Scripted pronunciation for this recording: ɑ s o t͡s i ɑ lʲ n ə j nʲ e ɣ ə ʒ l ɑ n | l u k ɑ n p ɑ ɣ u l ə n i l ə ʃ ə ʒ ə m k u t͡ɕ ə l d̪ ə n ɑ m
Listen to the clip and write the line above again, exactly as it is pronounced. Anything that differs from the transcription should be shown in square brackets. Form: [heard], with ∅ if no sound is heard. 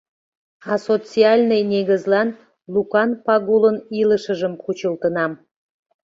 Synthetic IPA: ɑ s o t͡s i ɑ lʲ n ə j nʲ e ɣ ə [z] l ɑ n | l u k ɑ n p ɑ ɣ u l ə n i l ə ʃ ə ʒ ə m k u t͡ɕ ə l [t̪] ə n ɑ m